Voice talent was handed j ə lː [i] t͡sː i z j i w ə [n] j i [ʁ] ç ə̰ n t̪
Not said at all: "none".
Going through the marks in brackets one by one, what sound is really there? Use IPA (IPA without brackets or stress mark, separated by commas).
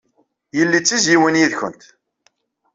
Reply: i, n, ð